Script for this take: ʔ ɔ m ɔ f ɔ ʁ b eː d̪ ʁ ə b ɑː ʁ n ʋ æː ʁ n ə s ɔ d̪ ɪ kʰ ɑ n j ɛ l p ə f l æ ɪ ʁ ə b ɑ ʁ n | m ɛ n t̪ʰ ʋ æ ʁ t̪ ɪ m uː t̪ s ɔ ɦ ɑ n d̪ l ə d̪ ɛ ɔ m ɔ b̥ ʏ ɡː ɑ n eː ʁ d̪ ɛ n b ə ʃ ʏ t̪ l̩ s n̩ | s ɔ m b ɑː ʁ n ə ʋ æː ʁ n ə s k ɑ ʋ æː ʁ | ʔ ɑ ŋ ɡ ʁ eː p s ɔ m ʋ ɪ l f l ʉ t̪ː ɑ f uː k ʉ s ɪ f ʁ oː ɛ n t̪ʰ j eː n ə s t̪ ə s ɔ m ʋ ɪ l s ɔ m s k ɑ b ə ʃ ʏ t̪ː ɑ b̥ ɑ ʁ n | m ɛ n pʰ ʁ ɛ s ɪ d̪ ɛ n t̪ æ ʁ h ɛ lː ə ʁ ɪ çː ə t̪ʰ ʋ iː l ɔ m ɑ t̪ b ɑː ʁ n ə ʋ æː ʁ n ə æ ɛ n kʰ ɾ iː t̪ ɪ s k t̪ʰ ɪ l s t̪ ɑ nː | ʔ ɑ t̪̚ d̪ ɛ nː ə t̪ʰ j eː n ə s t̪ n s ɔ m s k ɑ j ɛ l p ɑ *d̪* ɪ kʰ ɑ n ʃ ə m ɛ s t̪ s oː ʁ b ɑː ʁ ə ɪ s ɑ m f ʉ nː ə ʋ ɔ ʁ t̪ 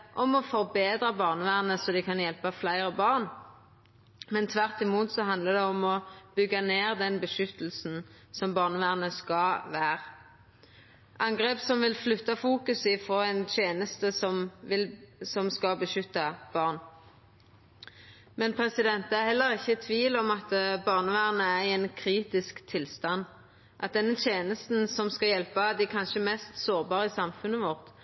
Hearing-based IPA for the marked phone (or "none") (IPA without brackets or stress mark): d̪